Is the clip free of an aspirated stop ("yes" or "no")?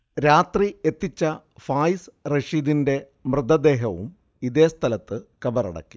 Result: no